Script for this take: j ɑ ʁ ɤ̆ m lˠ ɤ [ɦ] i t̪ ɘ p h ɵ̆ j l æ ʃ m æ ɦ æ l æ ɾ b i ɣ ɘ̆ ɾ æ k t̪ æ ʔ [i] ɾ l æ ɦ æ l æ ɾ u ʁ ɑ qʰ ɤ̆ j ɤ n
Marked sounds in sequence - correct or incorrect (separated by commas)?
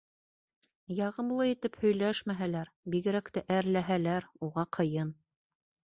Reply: incorrect, incorrect